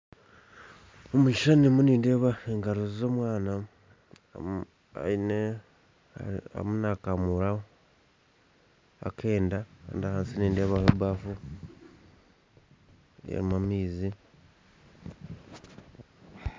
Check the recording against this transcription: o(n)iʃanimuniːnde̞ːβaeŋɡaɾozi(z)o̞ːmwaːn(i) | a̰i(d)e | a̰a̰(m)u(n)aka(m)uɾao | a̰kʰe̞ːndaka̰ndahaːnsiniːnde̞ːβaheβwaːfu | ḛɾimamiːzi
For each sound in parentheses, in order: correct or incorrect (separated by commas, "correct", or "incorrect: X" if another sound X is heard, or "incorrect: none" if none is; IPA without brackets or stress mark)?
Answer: incorrect: m, correct, incorrect: a, incorrect: n, correct, correct, correct